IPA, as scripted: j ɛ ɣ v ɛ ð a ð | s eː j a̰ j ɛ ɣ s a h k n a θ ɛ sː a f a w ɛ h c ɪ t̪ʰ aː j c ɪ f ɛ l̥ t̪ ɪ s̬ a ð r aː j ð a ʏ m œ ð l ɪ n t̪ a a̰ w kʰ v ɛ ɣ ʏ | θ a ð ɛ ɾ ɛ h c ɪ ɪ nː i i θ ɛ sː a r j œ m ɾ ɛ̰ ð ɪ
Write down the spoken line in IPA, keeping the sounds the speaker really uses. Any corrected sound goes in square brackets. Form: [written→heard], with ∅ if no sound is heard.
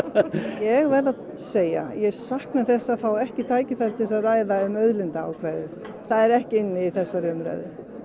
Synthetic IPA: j ɛ ɣ v ɛ ð a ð | s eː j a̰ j ɛ ɣ s a h k n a θ ɛ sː a f a w ɛ h c ɪ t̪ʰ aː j c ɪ f ɛ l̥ t̪ ɪ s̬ a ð r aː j ð a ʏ m œ ð l ɪ n t̪ a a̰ w kʰ v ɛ [ɣ→ð] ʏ | θ a ð ɛ ɾ ɛ h c ɪ ɪ nː [i→ɪ] i θ ɛ sː a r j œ m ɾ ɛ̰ ð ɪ